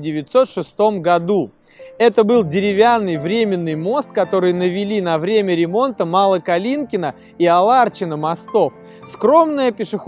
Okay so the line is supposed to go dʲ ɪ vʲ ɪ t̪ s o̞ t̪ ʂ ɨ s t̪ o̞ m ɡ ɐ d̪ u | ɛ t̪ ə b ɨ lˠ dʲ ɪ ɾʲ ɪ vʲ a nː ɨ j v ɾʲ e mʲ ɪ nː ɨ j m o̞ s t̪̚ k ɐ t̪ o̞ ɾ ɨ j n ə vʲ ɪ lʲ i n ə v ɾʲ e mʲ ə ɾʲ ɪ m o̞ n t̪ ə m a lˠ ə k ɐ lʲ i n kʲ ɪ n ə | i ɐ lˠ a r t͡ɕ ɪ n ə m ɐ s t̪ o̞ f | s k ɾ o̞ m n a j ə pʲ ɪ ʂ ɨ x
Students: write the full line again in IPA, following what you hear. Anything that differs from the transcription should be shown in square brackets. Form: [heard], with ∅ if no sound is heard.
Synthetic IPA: dʲ ɪ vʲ ɪ t̪ s o̞ t̪ ʂ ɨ s t̪ o̞ m ɡ ɐ d̪ u | ɛ t̪ ə b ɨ lˠ dʲ ɪ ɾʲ ɪ vʲ a nː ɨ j v ɾʲ e mʲ ɪ nː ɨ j m o̞ s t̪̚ k ɐ t̪ o̞ ɾ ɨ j n ə vʲ ɪ lʲ i n [ɐ] v ɾʲ e mʲ ə ɾʲ ɪ m o̞ n t̪ ə m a lˠ ə k ɐ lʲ i n kʲ ɪ n ə | i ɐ lˠ a r t͡ɕ ɪ n ə m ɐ s t̪ o̞ f | s k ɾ o̞ m n [ə] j ə pʲ ɪ ʂ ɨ x